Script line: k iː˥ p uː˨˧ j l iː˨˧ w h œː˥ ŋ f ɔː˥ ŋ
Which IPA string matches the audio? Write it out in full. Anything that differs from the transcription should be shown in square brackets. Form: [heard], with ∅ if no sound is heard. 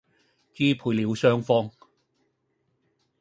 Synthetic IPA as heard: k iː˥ [pʰ] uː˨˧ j l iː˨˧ w [s] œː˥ ŋ f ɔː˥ ŋ